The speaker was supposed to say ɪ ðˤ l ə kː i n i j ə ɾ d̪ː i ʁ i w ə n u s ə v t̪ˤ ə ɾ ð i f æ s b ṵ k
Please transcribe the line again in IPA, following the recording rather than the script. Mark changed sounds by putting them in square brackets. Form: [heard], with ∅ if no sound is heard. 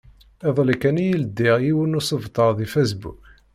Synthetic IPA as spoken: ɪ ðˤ l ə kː [æ] n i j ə [l] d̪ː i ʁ i w ə n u s ə v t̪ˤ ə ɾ ð i f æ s b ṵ k